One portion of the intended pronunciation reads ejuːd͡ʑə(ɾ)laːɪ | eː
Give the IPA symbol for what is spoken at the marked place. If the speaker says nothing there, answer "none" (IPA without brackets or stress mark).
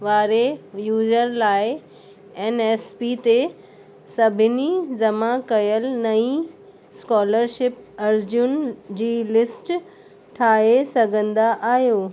ɾ